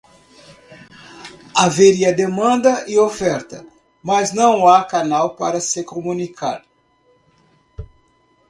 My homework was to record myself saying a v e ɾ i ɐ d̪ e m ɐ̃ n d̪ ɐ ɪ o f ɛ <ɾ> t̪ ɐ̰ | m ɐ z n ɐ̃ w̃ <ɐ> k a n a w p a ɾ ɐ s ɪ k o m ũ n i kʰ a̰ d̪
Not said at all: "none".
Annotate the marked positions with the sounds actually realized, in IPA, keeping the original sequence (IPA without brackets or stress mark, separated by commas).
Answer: ɾ, a